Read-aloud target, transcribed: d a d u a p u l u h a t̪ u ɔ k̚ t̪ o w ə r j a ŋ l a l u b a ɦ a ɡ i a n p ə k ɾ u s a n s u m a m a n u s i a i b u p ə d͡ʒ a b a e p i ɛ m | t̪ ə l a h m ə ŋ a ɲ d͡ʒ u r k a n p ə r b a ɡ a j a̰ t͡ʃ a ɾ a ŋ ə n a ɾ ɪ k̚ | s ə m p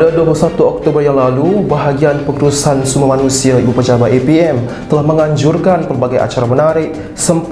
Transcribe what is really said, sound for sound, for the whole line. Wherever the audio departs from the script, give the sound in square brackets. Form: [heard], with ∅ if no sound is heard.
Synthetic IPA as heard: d a d u a p u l u [s] a t̪ u ɔ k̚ t̪ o [b] ə r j a ŋ l a l u b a ɦ a ɡ i a n p ə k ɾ u s a n s u m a m a n u s i a i b u p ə d͡ʒ a b a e p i ɛ m | t̪ ə l a h m ə ŋ a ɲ d͡ʒ u r k a n p ə r b a ɡ a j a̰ t͡ʃ a ɾ a [m] ə n a ɾ ɪ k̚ | s ə m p